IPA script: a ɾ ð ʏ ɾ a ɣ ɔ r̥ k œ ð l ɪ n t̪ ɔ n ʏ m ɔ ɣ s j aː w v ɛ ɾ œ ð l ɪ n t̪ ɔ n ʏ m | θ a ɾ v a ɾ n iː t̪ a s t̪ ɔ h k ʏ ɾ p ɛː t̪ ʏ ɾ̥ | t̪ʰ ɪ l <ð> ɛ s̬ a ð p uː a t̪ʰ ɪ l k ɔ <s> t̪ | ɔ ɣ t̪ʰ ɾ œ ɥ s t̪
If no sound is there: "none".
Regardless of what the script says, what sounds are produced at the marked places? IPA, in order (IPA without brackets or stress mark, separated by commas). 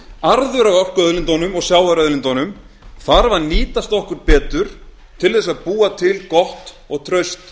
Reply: θ, h